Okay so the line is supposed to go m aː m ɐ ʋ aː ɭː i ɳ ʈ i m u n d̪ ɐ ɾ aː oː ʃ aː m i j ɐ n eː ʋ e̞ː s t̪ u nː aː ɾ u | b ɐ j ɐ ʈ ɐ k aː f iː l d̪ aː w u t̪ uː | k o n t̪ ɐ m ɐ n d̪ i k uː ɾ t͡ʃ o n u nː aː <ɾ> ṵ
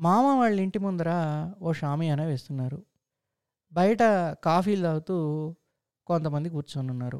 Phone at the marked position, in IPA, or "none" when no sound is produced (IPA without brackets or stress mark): ɾ